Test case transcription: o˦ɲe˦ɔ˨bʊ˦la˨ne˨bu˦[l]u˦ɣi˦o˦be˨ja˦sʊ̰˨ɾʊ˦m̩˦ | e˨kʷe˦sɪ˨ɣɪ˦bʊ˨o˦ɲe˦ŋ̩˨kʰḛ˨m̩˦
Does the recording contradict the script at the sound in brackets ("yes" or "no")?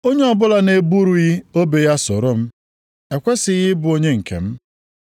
yes